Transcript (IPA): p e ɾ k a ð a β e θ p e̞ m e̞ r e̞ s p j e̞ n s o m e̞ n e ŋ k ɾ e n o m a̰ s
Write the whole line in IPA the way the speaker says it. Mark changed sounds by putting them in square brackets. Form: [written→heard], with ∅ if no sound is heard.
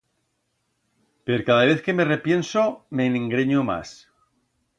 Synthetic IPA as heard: p e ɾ k a ð a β e θ [p→k] e̞ m e̞ r e̞ [s→∅] p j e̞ n s o m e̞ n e ŋ [k→ɡ] ɾ e [n→ɲ] o m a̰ s